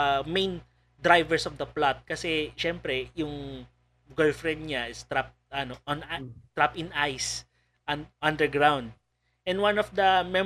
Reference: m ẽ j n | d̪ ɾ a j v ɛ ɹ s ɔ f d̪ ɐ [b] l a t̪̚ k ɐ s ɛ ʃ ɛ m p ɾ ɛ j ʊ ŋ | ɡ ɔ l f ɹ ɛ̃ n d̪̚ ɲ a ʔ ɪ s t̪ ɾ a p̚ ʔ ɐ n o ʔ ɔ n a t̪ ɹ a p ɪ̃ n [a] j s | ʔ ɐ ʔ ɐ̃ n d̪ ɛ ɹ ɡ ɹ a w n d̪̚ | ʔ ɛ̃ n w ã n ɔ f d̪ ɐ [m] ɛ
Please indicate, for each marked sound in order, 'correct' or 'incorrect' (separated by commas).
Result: incorrect, correct, correct